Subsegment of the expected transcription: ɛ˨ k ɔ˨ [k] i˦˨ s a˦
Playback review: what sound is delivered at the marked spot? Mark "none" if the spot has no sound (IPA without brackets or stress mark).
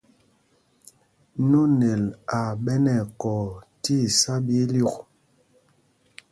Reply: t